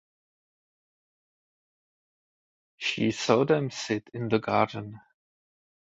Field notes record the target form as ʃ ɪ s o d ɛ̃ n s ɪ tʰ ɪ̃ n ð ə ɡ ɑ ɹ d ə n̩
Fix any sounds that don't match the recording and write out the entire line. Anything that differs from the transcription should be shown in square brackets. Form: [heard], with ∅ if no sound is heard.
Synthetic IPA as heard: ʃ [i] s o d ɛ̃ [m] s ɪ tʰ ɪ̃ n ð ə ɡ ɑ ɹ d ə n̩